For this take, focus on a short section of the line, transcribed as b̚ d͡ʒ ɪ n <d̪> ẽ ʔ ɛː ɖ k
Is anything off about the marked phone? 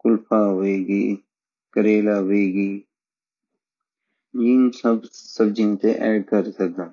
yes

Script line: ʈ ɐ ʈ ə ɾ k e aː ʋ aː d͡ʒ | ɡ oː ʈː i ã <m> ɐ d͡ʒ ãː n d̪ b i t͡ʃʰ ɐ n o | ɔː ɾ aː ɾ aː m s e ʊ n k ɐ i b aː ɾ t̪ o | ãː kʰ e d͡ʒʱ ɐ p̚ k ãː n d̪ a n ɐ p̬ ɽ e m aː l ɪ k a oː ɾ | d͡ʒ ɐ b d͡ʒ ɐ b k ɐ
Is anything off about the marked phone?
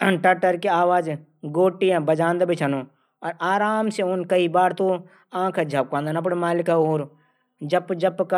yes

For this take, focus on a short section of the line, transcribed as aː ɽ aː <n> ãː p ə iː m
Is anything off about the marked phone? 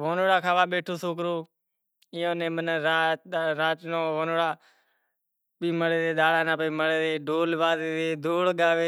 no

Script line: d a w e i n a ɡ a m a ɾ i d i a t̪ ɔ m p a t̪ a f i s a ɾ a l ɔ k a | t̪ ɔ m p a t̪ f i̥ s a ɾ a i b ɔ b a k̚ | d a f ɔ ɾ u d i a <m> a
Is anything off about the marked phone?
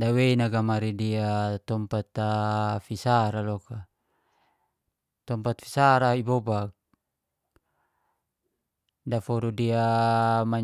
no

